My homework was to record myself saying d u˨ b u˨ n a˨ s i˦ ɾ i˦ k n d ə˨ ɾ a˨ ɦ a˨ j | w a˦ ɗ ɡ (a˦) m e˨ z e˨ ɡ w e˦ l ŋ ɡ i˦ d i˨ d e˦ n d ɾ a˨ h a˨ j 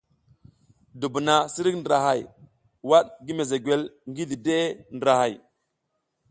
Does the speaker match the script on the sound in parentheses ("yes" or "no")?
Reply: no